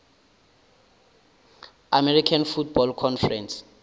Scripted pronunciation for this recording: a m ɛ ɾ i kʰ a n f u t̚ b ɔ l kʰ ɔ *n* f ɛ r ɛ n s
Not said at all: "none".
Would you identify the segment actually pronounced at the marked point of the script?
n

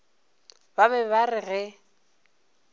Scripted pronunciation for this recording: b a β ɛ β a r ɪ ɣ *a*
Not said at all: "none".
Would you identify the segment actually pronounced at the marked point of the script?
ɛ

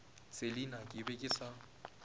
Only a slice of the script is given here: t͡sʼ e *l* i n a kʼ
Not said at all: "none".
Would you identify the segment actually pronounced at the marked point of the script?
l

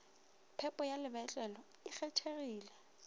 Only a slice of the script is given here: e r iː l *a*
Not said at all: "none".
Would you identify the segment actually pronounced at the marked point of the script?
ɛ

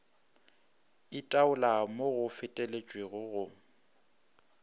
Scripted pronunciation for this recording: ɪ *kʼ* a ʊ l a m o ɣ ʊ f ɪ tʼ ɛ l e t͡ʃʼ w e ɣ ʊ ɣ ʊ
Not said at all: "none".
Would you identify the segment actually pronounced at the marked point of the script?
tʼ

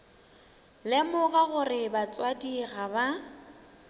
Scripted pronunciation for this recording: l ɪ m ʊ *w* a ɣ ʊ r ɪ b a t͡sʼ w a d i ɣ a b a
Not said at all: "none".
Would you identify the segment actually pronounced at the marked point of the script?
ɣ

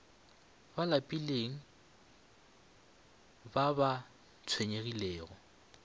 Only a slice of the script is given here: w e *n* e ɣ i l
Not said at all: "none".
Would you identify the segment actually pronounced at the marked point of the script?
ɲ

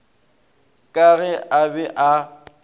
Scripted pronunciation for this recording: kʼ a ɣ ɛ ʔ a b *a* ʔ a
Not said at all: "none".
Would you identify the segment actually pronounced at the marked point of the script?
ɛ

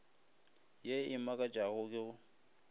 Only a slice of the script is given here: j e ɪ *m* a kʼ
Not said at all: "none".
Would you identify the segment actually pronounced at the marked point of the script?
m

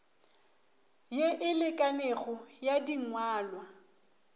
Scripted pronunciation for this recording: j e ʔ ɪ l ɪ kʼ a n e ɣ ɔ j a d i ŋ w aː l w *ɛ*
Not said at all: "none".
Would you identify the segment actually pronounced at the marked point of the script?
a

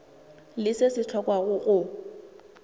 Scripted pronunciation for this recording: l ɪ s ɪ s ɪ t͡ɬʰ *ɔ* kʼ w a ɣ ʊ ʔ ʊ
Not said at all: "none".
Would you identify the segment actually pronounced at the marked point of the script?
ɔ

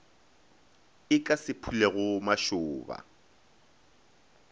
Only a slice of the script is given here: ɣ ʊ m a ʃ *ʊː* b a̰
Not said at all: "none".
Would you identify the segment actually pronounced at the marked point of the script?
ʊː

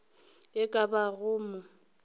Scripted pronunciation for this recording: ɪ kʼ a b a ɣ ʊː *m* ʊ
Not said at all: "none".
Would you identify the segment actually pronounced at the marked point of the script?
m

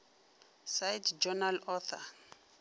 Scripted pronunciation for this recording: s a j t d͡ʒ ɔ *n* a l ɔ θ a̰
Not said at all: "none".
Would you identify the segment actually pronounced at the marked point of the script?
n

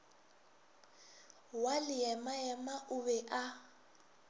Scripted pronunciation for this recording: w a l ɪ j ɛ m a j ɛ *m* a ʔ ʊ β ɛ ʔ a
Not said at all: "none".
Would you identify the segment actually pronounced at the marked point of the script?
m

